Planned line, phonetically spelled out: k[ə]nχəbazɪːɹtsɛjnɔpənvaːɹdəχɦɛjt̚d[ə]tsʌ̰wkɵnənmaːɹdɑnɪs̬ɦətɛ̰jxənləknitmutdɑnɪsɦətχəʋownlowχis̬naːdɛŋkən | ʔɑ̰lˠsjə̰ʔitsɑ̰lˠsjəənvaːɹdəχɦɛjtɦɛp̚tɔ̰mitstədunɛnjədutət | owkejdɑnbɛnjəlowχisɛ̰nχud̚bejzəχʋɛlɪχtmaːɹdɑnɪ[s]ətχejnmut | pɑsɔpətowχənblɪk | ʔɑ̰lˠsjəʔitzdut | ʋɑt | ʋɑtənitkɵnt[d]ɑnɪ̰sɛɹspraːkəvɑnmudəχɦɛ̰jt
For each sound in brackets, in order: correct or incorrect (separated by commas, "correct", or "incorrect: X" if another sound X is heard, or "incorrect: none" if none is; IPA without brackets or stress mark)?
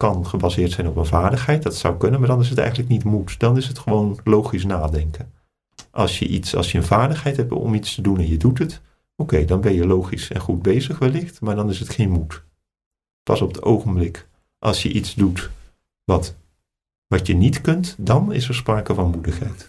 incorrect: ɑ, incorrect: ɑ, correct, correct